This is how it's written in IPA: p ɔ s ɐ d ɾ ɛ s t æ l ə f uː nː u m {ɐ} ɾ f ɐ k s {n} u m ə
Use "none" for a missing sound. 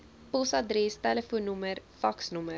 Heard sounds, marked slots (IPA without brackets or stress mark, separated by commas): ə, n